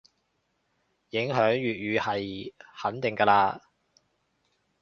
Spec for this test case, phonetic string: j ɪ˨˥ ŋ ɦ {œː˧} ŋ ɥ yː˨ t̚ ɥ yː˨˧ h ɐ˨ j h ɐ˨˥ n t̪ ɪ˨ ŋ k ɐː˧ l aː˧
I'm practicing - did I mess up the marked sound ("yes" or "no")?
yes